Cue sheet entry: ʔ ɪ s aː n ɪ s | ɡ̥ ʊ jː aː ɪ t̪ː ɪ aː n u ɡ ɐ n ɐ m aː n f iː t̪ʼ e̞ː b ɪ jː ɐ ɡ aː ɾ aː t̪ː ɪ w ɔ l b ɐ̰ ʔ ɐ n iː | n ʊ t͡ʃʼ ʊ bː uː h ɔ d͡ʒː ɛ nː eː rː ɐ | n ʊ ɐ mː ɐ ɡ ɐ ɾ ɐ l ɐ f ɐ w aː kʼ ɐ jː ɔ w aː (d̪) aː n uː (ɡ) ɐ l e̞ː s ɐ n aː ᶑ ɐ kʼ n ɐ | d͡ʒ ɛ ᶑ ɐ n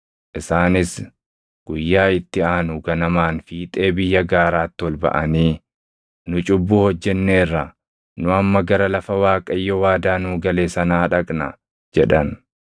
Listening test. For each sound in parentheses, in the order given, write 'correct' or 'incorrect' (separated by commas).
correct, correct